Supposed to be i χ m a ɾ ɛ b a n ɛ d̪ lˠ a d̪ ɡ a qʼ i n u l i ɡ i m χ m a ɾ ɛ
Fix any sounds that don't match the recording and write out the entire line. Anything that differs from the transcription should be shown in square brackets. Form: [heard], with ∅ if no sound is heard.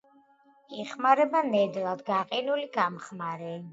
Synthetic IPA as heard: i χ m a ɾ ɛ b a n ɛ d̪ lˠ a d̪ ɡ a qʼ i n u l i ɡ [a] m χ m a ɾ ɛ